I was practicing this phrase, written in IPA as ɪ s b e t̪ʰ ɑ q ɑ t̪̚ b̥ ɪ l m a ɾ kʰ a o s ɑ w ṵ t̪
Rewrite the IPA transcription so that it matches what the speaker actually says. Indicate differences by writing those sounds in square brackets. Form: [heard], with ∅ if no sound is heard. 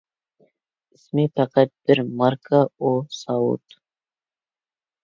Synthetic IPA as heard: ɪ s [m] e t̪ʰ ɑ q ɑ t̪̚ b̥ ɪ [ɾ] m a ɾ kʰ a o s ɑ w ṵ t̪